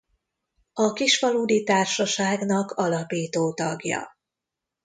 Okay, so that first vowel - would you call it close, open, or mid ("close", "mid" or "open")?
open